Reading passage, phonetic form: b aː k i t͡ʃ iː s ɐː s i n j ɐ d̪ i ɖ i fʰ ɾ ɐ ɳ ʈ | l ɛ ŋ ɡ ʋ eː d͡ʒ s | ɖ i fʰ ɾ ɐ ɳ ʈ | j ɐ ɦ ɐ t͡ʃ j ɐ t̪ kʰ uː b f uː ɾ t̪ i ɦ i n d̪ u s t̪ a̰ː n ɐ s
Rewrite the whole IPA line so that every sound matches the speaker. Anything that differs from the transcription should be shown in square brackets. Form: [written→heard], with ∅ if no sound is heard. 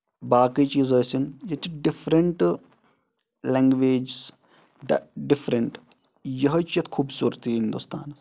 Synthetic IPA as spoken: b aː k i t͡ʃ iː [s→z] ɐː s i n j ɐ [d̪→t̪] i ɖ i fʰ ɾ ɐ ɳ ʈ | l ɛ ŋ ɡ ʋ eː d͡ʒ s | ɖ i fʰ ɾ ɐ ɳ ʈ | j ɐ ɦ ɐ t͡ʃ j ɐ t̪ kʰ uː b [f→s] uː ɾ t̪ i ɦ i n d̪ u s t̪ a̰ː n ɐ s